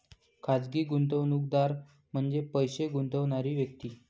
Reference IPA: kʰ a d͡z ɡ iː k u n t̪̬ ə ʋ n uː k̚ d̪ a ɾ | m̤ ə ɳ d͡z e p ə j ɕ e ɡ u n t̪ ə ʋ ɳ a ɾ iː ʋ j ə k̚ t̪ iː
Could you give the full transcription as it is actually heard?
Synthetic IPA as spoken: kʰ a d͡z ɡ iː ɡ u n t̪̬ ə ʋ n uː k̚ d̪ a ɾ | m̤ ə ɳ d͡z e p ə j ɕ e ɡ u n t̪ ə ʋ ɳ a ɾ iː ʋ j ə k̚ t̪ iː